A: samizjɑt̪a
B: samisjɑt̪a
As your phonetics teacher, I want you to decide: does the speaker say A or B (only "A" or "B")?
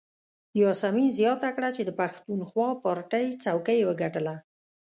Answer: A